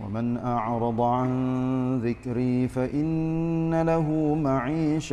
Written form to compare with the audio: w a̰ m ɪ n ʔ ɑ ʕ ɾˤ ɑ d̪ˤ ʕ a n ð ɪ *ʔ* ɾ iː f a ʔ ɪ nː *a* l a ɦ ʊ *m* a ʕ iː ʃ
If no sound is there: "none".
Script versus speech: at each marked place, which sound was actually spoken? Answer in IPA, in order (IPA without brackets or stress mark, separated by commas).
k, a, m